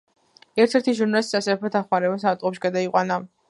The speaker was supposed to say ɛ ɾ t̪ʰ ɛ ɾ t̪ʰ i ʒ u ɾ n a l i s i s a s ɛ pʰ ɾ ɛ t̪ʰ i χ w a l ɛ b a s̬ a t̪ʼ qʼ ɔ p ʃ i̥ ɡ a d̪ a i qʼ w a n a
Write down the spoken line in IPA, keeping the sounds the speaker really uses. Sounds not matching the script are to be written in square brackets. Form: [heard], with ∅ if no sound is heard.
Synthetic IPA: ɛ ɾ t̪ʰ ɛ ɾ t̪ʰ i ʒ u ɾ n a l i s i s a s ɛ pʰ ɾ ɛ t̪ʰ [a] χ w a [ɾ] ɛ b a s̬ a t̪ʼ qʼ ɔ p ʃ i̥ ɡ a d̪ a i qʼ w a n a